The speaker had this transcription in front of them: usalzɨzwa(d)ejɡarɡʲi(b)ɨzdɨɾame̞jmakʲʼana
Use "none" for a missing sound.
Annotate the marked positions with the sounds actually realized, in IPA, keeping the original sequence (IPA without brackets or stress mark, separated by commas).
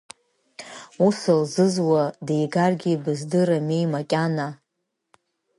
d, b